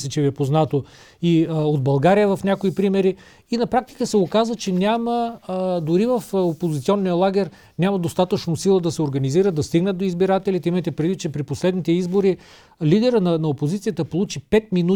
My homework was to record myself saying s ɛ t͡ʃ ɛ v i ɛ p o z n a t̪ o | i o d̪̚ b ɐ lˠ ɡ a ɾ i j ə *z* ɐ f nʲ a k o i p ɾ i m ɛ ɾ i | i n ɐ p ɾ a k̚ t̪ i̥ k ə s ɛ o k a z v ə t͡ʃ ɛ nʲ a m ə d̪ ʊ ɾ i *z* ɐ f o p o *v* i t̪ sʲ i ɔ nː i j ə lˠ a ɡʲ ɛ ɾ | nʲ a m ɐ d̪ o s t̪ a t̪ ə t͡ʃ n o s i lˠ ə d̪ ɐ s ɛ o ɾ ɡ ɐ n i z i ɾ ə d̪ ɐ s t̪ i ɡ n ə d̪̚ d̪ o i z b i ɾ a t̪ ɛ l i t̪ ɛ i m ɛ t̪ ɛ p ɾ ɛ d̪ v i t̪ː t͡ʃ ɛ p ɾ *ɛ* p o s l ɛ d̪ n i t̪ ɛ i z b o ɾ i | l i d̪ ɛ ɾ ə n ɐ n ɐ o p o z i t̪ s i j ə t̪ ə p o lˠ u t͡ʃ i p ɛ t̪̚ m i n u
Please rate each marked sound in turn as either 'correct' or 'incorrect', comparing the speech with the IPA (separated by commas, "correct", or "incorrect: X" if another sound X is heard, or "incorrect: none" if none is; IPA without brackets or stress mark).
incorrect: v, incorrect: v, incorrect: z, incorrect: i